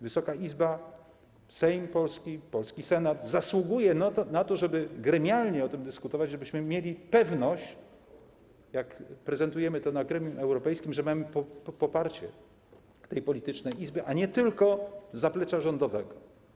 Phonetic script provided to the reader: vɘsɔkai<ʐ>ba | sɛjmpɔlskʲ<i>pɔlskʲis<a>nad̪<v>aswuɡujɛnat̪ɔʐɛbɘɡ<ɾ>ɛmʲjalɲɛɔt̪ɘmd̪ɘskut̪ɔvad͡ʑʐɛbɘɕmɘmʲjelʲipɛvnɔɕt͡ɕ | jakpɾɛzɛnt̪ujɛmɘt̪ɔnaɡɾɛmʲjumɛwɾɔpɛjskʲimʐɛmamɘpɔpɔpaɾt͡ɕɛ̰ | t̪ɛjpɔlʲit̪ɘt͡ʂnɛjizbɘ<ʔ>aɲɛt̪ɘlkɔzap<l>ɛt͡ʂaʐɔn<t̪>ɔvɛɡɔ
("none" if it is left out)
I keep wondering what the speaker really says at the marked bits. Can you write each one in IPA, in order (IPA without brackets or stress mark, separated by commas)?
z, i, ɛ, z, ɾ, ʔ, l, d̪